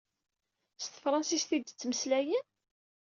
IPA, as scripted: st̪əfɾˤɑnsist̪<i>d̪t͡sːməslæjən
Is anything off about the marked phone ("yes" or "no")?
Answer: no